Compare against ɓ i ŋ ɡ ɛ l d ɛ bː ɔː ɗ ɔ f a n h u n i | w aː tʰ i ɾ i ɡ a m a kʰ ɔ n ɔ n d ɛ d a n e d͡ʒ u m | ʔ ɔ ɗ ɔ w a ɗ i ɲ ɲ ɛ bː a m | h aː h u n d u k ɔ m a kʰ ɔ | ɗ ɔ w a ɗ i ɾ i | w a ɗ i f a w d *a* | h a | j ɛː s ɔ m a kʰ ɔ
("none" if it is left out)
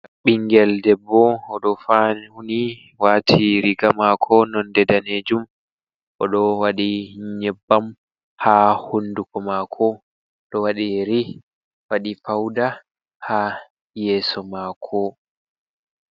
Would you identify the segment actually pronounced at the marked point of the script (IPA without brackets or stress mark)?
a